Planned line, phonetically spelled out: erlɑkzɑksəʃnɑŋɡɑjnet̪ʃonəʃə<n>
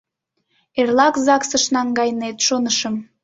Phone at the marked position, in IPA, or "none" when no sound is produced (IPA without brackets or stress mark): m